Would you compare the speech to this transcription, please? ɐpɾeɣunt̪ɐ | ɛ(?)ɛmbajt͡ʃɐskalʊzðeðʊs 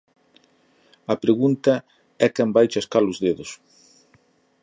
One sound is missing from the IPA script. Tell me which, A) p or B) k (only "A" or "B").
B